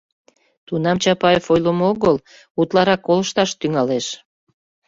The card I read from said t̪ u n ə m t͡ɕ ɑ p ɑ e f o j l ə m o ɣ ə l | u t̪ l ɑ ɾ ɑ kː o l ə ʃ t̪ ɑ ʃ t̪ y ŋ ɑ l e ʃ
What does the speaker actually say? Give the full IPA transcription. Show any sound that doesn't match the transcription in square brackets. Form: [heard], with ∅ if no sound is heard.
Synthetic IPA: t̪ u n [ɑ] m t͡ɕ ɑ p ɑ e f o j l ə m o ɣ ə l | u t̪ l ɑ ɾ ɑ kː o l ə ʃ t̪ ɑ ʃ t̪ y ŋ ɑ l e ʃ

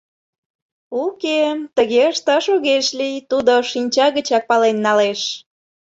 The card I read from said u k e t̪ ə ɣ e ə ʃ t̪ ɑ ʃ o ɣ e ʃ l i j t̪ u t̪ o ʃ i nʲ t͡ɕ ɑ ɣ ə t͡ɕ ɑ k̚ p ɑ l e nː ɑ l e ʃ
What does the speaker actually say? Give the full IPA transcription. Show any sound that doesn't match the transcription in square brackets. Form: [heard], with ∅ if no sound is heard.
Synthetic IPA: u k e t̪ ə ɣ e ə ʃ t̪ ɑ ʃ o ɣ e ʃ l i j t̪ u [d̪] o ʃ i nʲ t͡ɕ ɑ ɣ ə t͡ɕ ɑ k̚ p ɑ l e nː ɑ l e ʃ

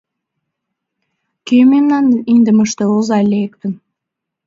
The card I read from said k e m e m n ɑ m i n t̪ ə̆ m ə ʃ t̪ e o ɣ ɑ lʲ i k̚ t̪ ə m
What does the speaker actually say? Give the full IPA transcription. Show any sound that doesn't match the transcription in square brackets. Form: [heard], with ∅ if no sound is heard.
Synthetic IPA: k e m e m n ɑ [n] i n [d̪] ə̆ m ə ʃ t̪ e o [z] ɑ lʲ [e] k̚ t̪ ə [n]

